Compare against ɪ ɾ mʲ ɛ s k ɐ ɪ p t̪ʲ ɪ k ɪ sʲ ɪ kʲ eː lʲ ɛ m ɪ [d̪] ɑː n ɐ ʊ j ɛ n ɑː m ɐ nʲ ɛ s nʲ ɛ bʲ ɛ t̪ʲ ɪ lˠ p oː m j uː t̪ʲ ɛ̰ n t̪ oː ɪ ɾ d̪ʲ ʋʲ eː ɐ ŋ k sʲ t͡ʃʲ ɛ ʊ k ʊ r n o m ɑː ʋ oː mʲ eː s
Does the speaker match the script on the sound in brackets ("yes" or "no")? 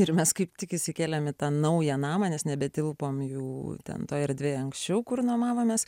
no